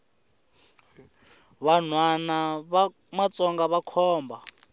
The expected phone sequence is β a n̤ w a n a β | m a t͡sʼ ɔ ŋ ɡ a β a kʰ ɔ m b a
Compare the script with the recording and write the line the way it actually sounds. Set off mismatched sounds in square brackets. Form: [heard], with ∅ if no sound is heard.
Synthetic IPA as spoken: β a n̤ w a n a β | m a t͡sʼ ɔ ŋ ɡ a β a kʰ [ɔː] m b a